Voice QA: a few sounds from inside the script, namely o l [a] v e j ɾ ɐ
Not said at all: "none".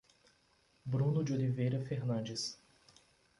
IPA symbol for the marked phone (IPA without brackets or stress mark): i